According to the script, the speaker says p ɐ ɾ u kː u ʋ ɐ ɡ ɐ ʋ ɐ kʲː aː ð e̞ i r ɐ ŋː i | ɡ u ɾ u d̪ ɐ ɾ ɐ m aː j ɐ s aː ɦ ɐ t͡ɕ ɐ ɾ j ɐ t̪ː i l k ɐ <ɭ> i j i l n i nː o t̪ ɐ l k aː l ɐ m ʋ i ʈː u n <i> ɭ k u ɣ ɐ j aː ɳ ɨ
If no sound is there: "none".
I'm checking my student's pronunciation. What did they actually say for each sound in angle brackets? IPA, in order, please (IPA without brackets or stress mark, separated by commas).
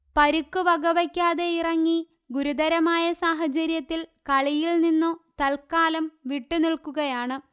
ɭ, i